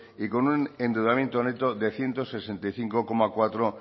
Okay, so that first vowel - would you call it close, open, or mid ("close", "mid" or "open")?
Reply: close